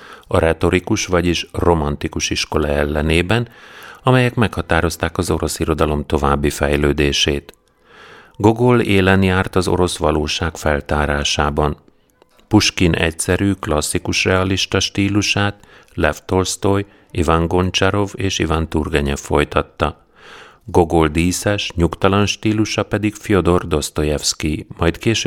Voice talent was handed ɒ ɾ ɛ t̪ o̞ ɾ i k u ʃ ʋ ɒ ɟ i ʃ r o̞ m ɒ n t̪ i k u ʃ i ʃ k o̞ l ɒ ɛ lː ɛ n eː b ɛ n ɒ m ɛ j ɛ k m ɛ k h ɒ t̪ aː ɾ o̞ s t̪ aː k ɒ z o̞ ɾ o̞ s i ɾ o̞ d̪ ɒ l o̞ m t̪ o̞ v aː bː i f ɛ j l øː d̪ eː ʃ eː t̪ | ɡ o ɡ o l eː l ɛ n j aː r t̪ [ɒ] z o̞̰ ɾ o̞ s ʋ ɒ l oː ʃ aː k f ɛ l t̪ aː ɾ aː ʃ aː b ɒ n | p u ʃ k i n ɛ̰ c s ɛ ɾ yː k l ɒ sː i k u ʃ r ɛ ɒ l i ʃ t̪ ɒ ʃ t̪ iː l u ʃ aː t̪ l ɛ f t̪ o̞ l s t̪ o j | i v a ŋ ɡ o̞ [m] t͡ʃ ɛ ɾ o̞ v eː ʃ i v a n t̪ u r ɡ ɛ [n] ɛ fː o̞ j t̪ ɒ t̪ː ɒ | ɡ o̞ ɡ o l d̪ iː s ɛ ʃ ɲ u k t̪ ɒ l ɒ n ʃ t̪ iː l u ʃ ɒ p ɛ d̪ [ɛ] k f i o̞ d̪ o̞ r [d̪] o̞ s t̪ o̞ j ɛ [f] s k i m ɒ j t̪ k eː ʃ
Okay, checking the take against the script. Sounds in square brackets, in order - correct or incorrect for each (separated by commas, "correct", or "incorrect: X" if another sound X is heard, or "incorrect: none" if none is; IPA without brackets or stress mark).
correct, incorrect: n, incorrect: ɲ, incorrect: i, correct, correct